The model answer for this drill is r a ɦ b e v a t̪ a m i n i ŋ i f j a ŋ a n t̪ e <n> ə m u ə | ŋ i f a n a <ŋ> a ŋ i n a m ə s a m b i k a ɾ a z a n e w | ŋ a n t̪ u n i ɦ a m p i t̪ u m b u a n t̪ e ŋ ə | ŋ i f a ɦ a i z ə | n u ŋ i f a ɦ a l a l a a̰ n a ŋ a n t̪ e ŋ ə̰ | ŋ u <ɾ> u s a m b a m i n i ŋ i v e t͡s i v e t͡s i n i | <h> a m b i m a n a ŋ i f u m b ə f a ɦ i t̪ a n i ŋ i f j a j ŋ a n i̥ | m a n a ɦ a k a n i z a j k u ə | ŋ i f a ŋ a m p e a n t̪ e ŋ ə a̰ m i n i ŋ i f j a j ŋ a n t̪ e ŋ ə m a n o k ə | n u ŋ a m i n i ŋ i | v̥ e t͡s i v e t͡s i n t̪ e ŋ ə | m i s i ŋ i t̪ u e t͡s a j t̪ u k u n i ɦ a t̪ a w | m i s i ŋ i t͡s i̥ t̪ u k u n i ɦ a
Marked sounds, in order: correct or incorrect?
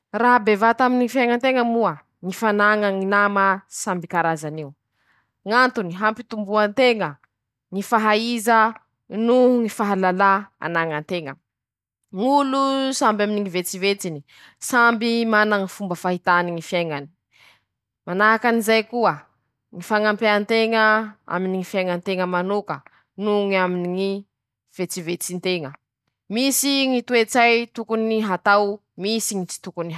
incorrect, correct, incorrect, incorrect

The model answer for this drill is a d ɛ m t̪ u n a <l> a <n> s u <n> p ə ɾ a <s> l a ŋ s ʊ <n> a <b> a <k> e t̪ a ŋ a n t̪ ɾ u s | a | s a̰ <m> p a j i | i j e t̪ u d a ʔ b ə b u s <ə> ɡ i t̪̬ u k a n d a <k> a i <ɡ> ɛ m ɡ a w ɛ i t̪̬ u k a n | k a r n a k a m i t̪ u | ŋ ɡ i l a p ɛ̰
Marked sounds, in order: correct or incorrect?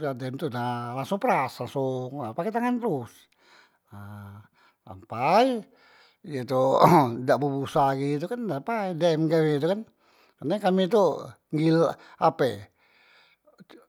correct, incorrect, incorrect, correct, incorrect, incorrect, correct, correct, incorrect, incorrect, incorrect

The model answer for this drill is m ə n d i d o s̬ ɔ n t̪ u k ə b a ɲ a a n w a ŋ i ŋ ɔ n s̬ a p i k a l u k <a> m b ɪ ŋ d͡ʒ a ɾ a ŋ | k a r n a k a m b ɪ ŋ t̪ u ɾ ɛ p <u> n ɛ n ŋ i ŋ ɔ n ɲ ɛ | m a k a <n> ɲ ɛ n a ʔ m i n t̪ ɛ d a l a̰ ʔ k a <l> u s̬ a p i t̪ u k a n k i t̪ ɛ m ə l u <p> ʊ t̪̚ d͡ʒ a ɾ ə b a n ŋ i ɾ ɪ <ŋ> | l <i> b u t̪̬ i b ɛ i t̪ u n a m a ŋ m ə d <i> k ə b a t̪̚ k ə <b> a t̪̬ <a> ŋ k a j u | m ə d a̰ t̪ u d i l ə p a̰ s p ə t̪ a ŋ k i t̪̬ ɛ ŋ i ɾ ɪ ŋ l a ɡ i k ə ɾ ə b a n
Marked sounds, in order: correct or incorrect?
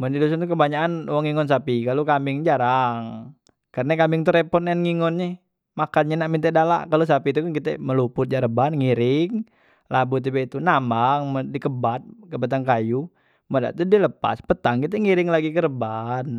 correct, incorrect, correct, correct, correct, correct, incorrect, correct, correct, correct

